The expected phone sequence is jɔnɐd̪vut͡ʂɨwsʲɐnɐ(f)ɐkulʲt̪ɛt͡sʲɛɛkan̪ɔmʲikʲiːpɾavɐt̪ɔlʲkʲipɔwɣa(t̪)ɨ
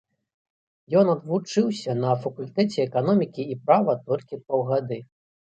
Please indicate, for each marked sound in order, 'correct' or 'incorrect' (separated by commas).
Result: correct, incorrect